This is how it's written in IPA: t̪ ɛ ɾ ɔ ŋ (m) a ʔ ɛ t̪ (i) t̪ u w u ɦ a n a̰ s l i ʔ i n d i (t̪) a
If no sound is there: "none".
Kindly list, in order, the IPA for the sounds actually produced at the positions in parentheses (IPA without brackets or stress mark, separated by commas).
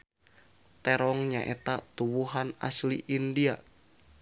ɲ, a, none